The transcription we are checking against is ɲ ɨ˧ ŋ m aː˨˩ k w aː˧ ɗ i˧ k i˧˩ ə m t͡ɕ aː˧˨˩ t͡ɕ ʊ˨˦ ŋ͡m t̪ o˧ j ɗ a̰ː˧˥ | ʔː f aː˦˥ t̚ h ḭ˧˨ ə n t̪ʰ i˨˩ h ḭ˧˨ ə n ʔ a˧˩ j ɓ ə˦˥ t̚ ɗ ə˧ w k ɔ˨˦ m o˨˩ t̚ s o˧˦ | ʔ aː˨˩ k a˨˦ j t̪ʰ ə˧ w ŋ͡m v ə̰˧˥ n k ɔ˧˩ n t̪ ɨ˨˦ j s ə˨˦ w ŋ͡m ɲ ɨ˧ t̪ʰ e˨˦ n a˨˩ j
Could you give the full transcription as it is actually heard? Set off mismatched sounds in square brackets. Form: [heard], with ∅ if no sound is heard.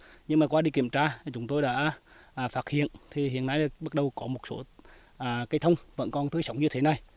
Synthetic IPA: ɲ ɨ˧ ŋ m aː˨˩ k w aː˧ ɗ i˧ k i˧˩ ə m t͡ɕ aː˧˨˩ t͡ɕ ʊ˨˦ ŋ͡m t̪ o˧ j ɗ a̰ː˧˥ | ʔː f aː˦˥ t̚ h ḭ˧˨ ə n t̪ʰ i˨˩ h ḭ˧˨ ə n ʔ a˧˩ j ɓ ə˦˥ t̚ ɗ [ə˨˩] w k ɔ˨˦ m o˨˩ t̚ s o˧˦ | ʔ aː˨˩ k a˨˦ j t̪ʰ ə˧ w ŋ͡m v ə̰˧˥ n k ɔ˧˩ n t̪ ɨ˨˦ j s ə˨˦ w ŋ͡m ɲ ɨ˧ t̪ʰ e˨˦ n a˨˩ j